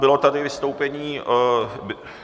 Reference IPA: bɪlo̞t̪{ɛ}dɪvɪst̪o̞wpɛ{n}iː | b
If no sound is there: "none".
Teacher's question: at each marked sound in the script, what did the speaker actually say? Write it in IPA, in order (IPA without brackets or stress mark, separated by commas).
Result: a, ɲ